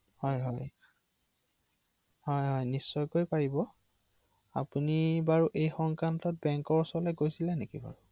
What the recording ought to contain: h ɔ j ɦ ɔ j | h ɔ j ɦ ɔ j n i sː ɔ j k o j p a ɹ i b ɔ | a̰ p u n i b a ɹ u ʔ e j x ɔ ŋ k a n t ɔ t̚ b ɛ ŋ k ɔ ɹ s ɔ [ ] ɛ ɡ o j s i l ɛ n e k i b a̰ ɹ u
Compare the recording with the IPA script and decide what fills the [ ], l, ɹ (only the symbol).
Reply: l